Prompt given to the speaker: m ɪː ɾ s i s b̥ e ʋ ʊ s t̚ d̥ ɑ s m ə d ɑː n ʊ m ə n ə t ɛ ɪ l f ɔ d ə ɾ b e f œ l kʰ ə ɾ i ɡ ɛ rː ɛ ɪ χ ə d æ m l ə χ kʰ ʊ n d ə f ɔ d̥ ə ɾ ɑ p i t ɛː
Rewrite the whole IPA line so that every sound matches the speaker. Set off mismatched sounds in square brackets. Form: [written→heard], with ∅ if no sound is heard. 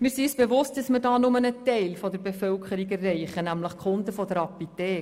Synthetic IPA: m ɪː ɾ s i s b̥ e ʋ ʊ s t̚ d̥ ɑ s m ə d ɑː n ʊ m ə n ə t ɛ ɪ l f ɔ d ə ɾ b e f œ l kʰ ə ɾ i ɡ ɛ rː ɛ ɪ χ ə [d→n] æ m l ə χ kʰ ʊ n d ə f ɔ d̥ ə ɾ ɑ p i t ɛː